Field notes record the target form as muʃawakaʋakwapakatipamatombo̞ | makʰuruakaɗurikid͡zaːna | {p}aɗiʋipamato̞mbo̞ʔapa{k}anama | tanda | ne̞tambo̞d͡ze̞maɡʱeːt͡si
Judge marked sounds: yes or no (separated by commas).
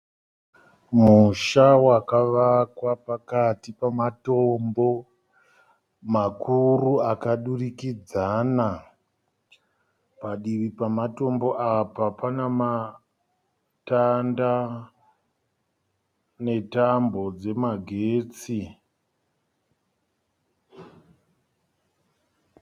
yes, no